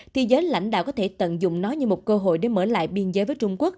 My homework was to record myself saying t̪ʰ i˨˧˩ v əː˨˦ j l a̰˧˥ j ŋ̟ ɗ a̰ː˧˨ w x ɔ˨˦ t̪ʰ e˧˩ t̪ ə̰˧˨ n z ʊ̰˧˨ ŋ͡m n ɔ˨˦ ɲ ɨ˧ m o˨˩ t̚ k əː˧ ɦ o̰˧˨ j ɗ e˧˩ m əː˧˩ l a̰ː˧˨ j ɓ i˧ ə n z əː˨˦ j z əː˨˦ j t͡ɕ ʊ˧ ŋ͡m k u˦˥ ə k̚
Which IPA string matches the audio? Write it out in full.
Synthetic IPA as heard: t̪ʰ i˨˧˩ z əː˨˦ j l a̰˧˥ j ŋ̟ ɗ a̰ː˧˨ w k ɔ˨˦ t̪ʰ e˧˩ t̪ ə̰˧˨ n z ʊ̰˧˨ ŋ͡m n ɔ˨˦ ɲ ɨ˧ m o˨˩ t̚ k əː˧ ɦ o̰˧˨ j ɗ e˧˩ m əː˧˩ l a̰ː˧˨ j ɓ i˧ ə n z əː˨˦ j v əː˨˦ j t͡ɕ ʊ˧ ŋ͡m k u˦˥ ə k̚